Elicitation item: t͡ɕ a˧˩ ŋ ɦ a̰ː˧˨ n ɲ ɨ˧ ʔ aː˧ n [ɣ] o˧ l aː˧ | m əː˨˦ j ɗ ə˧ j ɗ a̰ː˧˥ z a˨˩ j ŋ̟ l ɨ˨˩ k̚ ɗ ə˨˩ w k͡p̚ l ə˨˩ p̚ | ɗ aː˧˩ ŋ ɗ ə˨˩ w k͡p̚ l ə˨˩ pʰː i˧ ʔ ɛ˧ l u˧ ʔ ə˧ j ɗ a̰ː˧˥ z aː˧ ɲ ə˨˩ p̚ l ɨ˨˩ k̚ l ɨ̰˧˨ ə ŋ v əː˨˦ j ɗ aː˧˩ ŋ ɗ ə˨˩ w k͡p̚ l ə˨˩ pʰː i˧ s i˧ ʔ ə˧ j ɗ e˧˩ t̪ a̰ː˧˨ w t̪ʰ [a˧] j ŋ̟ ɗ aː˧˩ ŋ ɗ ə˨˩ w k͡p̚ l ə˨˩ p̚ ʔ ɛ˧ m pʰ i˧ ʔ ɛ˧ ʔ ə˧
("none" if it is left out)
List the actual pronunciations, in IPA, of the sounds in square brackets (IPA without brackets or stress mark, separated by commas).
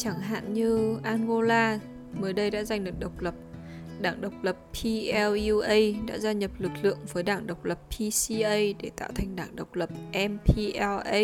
ɣ, a˨˩